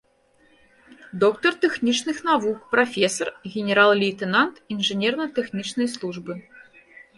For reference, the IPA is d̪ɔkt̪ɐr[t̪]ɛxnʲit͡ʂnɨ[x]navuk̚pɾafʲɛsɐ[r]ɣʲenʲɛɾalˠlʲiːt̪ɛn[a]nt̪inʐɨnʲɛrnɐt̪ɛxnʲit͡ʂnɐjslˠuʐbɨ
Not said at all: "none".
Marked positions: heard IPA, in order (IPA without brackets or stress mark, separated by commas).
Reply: t̪, x, r, a